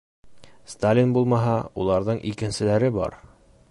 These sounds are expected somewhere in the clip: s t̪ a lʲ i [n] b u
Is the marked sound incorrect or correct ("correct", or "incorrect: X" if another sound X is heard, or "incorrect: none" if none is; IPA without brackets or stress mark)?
correct